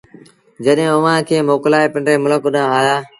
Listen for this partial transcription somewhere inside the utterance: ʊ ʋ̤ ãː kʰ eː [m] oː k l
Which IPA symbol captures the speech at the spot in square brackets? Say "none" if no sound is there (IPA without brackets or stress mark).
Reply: m